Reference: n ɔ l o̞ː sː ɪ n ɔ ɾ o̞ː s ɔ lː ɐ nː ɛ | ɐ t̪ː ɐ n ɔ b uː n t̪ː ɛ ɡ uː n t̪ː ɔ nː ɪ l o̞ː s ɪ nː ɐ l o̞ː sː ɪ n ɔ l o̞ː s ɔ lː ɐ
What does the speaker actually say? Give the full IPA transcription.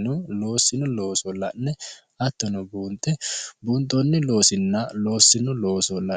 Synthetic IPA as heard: n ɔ l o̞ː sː ɪ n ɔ l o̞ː s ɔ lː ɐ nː ɛ | ɐ t̪ː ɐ n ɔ b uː n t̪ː ɛ b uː n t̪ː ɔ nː ɪ l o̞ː s ɪ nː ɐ l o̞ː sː ɪ n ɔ l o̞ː s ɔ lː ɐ

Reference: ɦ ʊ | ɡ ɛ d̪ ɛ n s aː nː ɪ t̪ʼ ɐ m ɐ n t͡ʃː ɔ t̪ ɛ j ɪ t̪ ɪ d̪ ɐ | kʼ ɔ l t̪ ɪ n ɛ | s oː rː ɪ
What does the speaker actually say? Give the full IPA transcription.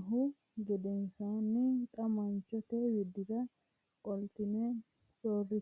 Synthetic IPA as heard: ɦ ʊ | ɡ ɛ d̪ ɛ n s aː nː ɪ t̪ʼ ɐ m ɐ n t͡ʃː ɔ t̪ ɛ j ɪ d̪ ɪ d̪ ɐ | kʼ ɔ l t̪ ɪ n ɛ | s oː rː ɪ

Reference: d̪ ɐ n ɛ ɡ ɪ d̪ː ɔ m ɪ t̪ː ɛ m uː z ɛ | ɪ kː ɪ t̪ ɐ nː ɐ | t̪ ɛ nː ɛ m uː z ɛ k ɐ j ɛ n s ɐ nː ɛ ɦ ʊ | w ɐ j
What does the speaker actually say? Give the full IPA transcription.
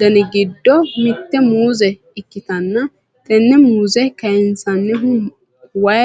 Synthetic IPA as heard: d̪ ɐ n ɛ ɡ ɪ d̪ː ɔ m ɪ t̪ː ɛ m uː z ɛ | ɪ kː ɪ t̪ ɐ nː ɐ | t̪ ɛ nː ɛ m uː z ɛ k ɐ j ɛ n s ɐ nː ɛ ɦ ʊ | w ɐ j

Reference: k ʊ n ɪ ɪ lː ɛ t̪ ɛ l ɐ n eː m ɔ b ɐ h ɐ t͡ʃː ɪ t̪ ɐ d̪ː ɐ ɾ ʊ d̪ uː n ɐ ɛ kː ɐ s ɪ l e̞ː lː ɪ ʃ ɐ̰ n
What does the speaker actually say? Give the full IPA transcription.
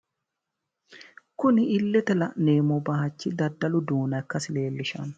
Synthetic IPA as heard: k ʊ n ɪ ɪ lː ɛ t̪ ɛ l ɐ n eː m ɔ b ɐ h ɐ t͡ʃː ɪ d̪ ɐ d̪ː ɐ l ʊ d̪ uː n ɐ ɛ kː ɐ s ɪ l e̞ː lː ɪ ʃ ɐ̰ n

